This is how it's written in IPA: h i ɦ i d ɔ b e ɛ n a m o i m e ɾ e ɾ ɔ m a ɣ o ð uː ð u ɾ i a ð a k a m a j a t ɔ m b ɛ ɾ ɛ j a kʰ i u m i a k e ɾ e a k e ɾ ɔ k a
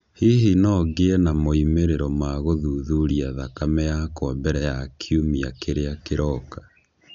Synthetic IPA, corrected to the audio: h i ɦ i n ɔ ɡ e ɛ n a m o i m e ɾ e ɾ ɔ m a ɣ o ð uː ð u ɾ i a ð a k a m ɛ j a k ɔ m b ɛ ɾ ɛ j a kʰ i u m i a k e ɾ e a k e ɾ ɔ k a